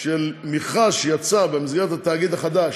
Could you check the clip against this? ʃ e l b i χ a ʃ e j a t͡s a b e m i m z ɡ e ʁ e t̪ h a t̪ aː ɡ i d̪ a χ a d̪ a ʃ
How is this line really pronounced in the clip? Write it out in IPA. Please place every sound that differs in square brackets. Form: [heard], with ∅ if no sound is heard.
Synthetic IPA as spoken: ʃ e l [m] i χ a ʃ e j a t͡s a b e m i [∅] z ɡ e ʁ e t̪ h a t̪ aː ɡ i d̪ a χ a d̪ a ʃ